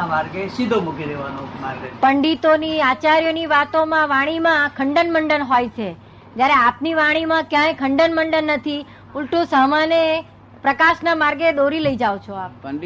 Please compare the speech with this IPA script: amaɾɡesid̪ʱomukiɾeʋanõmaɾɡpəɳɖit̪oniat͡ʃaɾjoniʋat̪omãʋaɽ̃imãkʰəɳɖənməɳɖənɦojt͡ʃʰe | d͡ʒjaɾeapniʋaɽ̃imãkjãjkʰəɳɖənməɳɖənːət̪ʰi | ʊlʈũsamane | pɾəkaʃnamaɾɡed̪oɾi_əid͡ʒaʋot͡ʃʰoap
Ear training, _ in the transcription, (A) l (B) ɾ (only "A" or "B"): A